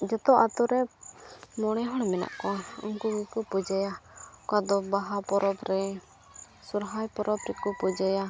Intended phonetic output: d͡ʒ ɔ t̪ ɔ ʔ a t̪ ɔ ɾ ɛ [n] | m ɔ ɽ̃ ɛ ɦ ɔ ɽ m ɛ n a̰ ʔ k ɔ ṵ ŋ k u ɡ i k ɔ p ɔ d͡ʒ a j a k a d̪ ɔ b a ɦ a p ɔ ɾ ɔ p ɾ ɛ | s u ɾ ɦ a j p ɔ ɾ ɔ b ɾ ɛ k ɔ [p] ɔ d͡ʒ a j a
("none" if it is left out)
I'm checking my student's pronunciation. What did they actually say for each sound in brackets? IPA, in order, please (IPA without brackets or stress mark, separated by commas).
none, p